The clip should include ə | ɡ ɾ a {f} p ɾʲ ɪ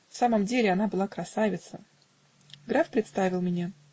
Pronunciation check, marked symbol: correct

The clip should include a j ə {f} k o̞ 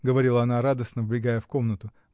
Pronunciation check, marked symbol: correct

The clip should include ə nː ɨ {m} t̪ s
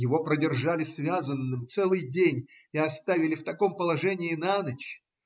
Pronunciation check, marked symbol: correct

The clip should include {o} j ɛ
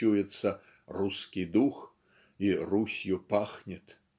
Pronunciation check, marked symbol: incorrect: u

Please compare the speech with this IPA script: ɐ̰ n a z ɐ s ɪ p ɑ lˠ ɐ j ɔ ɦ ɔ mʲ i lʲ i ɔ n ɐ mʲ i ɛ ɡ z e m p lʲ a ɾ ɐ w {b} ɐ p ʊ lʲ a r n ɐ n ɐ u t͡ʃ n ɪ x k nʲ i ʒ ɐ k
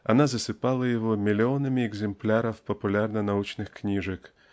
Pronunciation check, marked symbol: incorrect: p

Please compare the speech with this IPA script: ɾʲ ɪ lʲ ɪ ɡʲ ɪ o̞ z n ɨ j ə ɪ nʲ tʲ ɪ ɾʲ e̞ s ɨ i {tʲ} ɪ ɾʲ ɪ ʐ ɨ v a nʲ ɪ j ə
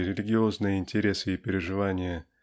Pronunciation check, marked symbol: incorrect: pʲ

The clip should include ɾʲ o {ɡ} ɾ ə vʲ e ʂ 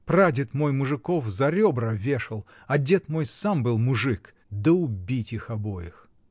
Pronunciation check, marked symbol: incorrect: b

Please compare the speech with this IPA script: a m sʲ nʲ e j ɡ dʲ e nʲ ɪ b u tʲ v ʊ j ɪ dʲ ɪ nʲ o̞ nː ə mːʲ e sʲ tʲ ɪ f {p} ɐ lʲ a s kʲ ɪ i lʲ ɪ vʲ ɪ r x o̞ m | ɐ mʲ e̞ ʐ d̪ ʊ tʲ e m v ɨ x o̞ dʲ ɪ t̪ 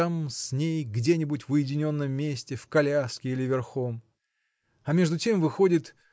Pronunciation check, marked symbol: incorrect: k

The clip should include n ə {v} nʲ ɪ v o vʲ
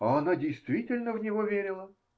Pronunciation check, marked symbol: correct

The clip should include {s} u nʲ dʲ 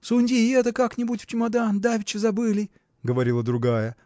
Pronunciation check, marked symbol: correct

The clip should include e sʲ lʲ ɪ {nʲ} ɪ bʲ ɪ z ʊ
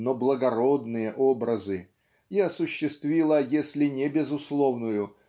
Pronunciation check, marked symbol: correct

